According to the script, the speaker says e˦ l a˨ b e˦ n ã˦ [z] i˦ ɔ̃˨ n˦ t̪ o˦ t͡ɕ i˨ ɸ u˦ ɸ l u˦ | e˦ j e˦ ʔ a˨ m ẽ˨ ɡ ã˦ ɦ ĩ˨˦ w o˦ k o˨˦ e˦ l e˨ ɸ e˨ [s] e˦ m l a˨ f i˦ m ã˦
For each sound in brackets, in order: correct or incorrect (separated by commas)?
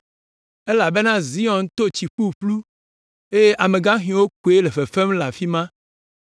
correct, incorrect